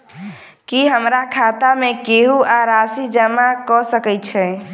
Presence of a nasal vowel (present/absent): absent